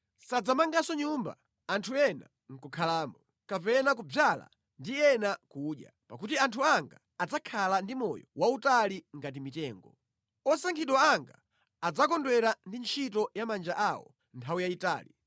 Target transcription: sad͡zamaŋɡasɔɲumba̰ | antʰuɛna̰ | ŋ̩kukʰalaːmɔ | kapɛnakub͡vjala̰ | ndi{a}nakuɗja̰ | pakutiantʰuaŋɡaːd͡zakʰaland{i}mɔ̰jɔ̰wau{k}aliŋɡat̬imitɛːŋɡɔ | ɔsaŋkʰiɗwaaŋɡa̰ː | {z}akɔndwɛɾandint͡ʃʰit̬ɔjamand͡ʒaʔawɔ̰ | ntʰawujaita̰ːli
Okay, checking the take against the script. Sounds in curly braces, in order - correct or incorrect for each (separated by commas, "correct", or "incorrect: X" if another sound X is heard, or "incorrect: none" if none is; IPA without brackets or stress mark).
incorrect: ɛ, correct, incorrect: t, incorrect: d͡z